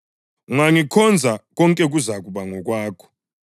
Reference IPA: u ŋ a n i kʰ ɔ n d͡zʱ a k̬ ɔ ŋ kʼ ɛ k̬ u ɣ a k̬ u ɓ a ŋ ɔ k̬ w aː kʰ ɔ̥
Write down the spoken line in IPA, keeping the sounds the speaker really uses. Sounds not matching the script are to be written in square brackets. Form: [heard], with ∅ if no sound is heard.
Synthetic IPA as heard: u ŋ a [ŋ] i kʰ ɔ n d͡zʱ a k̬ ɔ ŋ kʼ ɛ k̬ u [z] a k̬ u ɓ a ŋ ɔ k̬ w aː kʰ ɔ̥